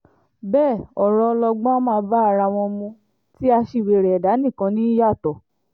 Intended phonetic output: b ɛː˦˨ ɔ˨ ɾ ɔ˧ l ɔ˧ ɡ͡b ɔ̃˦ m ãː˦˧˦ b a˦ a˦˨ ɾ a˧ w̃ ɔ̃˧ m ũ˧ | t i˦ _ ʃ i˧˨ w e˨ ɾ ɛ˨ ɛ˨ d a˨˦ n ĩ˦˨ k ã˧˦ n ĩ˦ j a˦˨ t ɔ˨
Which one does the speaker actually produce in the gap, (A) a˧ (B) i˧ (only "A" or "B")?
A